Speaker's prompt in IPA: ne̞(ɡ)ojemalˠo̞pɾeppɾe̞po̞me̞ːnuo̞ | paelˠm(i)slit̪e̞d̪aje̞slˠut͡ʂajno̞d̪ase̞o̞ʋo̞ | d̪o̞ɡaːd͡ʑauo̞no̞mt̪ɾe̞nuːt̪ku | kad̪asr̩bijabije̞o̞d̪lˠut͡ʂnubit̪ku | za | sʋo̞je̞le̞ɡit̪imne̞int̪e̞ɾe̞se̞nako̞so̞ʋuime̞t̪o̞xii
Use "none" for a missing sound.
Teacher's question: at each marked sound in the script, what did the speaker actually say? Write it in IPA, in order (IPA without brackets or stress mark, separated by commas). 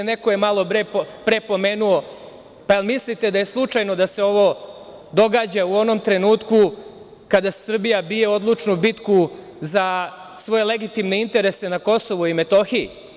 k, i